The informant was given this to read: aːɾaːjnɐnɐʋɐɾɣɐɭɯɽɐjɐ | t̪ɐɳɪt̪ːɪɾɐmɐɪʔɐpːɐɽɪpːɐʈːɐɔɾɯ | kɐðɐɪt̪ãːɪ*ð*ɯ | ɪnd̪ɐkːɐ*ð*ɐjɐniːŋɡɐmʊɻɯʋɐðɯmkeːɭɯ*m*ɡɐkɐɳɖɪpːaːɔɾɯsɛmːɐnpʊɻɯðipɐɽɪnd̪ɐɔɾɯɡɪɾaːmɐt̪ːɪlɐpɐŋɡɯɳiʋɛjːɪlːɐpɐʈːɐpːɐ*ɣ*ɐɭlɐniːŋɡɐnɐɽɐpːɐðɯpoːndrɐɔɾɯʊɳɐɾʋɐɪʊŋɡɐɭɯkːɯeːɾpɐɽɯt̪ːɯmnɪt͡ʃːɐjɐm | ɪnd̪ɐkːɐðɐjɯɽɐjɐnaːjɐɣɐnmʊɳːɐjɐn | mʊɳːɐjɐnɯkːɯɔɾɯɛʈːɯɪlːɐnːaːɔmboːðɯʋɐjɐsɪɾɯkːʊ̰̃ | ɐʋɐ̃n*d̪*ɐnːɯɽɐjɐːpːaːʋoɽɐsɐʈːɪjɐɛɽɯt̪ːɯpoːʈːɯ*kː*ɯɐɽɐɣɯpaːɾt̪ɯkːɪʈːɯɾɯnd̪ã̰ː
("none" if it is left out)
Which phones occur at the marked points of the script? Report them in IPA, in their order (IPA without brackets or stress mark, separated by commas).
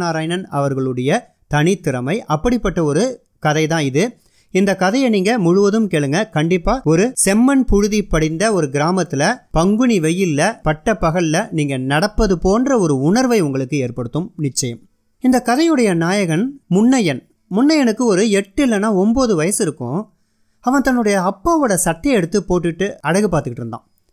ð, ð, ŋ, ɣ, t̪, ʈː